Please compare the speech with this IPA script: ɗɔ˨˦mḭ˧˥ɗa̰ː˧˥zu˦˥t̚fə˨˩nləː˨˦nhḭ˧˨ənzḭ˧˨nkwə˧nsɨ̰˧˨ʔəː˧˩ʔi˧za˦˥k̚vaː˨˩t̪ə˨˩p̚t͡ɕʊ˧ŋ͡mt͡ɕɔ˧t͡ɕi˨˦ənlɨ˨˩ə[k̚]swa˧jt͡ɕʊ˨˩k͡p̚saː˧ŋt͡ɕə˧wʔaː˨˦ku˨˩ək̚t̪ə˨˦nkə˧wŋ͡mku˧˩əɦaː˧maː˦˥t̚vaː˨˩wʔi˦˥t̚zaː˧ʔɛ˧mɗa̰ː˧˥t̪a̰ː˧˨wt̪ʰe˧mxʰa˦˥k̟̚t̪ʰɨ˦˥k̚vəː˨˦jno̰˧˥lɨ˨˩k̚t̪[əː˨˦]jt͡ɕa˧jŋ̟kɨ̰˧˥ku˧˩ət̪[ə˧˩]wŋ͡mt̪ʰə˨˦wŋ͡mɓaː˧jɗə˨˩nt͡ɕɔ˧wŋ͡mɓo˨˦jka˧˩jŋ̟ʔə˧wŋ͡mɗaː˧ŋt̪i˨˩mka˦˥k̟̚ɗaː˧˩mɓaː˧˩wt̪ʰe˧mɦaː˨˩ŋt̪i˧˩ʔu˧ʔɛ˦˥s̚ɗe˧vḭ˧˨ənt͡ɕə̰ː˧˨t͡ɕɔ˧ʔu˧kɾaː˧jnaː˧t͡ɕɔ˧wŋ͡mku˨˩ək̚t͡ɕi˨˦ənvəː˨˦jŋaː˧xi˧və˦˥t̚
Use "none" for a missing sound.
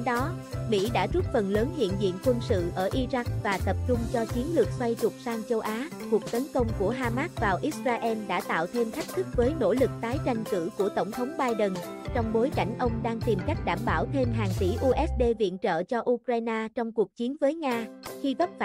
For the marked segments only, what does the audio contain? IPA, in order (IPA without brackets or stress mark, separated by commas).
k̚, aː˨˦, ə˧˩